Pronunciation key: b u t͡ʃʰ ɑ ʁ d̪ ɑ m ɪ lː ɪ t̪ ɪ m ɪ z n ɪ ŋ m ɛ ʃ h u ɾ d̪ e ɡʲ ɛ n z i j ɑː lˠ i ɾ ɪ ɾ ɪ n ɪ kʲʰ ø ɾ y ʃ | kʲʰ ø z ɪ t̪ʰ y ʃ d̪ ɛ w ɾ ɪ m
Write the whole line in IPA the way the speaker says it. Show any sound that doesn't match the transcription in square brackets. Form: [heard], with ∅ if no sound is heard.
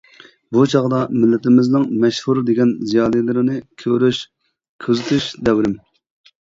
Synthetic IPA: b u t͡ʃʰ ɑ ʁ d̪ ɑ m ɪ lː ɪ t̪ ɪ m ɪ z n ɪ ŋ m ɛ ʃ h u ɾ d̪ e ɡʲ ɛ n z i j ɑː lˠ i [l] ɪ ɾ ɪ n ɪ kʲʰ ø ɾ y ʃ | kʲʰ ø z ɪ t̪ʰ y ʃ d̪ ɛ w ɾ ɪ m